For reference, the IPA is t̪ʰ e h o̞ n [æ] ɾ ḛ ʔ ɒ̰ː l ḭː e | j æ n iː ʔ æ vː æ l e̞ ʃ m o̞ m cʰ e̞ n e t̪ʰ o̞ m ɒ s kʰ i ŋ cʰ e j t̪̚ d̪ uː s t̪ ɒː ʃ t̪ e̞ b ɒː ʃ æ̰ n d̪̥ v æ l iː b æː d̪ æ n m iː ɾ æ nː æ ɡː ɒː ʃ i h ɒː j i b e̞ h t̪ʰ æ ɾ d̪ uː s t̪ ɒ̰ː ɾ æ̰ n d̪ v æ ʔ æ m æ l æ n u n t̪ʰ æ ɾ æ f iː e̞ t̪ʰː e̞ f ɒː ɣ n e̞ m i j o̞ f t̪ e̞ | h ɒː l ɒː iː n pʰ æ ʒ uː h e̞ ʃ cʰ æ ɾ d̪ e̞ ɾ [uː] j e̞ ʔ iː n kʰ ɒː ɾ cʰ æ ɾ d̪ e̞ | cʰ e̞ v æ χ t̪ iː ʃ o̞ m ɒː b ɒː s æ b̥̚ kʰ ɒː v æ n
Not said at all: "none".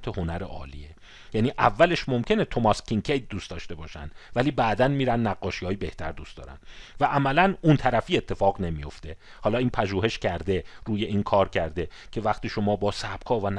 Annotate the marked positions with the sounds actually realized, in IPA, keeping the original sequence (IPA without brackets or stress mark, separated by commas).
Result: æ, uː